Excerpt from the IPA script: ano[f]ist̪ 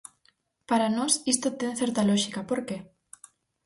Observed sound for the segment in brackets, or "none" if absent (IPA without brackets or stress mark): s